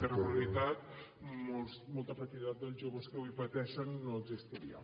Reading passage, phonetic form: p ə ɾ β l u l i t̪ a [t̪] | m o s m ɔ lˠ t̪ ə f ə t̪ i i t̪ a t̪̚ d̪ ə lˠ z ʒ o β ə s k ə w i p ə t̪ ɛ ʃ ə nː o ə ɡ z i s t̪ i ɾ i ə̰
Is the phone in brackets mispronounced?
no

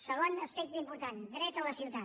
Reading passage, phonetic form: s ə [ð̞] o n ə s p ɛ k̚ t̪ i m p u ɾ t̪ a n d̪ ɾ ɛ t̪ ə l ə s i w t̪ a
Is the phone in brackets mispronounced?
yes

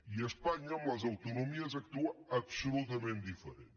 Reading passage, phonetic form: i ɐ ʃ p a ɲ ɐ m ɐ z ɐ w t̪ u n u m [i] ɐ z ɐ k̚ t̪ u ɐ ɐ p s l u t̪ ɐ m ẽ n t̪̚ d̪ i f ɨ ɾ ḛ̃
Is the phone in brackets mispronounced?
no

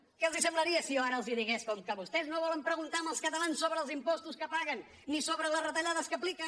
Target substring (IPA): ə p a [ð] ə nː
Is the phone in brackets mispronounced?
yes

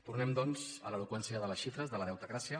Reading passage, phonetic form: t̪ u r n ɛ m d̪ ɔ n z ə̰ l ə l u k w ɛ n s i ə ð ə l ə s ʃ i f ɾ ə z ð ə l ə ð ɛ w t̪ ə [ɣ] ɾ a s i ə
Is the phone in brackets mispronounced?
no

